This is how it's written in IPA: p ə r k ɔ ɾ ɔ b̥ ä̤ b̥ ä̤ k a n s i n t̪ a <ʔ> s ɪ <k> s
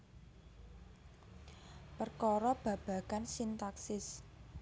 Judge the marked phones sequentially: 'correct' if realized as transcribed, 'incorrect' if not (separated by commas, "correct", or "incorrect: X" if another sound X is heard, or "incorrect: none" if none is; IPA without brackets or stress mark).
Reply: incorrect: k, incorrect: none